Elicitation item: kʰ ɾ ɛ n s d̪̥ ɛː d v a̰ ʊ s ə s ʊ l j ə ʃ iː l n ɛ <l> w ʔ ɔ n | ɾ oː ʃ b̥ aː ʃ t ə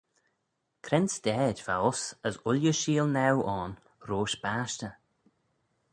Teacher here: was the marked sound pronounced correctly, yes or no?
no